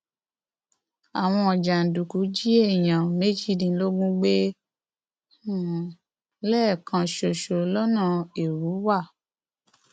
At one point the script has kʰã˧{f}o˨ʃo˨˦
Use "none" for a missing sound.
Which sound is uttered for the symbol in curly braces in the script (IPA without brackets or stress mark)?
ʃ